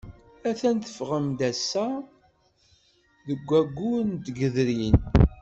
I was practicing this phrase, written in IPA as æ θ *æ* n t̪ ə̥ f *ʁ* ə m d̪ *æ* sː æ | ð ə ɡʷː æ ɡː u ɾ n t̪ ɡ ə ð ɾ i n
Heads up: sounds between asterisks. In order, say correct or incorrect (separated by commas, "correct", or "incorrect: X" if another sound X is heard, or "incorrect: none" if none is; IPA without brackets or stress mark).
correct, correct, correct